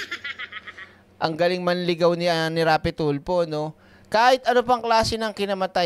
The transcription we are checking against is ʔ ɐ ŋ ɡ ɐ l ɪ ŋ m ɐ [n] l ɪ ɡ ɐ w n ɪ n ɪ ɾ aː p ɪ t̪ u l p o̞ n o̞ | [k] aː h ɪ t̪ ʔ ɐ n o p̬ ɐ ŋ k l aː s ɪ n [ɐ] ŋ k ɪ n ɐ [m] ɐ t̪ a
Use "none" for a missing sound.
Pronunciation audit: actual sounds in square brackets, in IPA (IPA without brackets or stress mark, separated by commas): n, k, ɐ, m